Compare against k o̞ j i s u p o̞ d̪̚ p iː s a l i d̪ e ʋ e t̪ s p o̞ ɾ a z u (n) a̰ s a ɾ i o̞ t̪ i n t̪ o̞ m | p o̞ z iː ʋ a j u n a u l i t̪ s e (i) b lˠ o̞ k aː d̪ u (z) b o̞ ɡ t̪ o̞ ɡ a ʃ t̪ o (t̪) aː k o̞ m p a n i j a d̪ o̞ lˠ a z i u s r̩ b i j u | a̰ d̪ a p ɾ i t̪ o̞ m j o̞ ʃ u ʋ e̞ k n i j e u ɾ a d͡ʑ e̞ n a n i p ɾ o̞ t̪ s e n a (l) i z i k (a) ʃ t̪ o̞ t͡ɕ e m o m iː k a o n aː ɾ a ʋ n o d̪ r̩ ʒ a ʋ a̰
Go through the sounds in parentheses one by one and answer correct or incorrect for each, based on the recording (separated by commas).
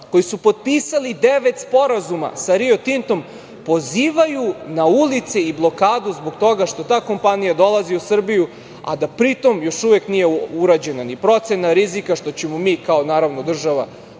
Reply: incorrect, correct, correct, correct, incorrect, correct